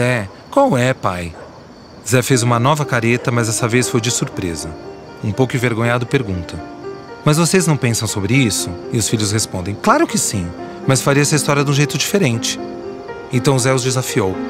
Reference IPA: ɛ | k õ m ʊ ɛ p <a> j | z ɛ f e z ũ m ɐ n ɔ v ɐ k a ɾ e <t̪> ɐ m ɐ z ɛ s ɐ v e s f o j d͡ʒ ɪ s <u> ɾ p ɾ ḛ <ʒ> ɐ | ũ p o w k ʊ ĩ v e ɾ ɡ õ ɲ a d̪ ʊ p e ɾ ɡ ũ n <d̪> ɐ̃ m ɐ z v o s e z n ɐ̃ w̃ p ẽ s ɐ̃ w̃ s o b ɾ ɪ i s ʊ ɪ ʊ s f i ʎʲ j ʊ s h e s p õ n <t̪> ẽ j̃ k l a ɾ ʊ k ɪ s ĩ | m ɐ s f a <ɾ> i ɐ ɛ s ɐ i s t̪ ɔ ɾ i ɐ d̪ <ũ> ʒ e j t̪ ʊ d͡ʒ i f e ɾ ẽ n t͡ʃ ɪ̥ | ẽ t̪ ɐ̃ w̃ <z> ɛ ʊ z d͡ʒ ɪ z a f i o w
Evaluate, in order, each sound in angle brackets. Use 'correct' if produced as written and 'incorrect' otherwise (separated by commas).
correct, correct, correct, incorrect, incorrect, incorrect, correct, correct, correct